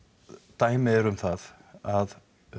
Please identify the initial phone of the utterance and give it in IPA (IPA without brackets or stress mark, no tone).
t̪